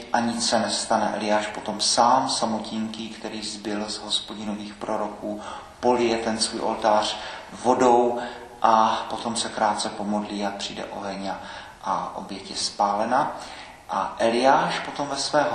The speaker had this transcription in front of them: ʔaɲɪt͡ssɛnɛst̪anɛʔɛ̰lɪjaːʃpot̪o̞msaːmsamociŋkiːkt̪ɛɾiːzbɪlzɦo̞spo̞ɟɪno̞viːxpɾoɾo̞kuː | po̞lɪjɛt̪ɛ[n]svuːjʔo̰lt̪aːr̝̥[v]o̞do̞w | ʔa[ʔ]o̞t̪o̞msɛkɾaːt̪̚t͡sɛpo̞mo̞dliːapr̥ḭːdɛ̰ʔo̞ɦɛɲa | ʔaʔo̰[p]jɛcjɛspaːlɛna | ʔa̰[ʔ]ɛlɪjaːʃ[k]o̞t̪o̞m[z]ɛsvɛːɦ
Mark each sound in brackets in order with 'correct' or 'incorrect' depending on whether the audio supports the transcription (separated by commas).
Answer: correct, correct, incorrect, incorrect, correct, incorrect, incorrect